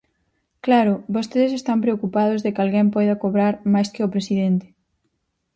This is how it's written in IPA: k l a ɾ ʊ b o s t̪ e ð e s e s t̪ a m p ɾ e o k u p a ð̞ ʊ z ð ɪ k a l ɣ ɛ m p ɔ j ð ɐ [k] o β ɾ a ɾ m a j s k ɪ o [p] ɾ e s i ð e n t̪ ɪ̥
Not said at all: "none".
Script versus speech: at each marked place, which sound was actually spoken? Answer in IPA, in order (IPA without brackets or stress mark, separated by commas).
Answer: k, p